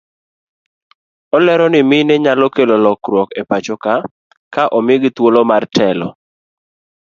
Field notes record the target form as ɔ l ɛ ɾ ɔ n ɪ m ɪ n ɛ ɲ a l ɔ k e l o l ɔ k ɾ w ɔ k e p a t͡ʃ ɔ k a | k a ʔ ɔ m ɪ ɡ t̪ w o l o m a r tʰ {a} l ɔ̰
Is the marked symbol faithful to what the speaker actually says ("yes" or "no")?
no